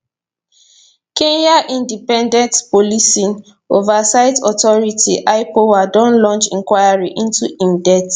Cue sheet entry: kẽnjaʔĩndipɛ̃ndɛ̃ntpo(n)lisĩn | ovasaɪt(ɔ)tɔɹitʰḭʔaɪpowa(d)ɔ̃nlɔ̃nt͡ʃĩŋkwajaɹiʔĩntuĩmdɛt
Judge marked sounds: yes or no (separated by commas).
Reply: no, yes, yes